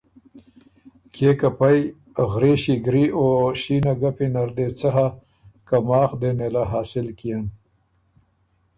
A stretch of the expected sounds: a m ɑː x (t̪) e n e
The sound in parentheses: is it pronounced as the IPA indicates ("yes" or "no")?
no